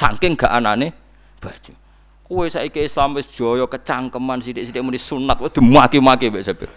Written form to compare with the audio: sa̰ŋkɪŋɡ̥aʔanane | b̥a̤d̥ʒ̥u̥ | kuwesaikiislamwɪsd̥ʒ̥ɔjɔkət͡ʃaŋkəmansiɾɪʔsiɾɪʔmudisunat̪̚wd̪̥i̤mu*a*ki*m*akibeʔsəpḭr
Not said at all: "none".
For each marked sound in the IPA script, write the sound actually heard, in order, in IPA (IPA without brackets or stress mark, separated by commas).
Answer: a, m